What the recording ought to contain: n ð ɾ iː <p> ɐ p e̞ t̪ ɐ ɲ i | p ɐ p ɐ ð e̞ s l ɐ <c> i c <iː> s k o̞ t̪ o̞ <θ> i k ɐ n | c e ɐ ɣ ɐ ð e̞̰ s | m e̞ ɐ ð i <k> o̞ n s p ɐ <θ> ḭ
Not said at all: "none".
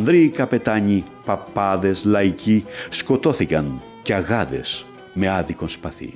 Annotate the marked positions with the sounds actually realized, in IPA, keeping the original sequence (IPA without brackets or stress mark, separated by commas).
k, none, i, θ, k, θ